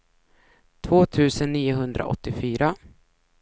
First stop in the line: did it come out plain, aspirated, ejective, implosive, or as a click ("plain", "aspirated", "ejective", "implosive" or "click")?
aspirated